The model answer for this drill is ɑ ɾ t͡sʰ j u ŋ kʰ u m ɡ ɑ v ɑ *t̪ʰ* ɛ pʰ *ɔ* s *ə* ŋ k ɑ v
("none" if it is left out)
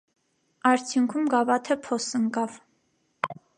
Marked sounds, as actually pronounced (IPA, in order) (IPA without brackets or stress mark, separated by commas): t̪ʰ, ɔ, ə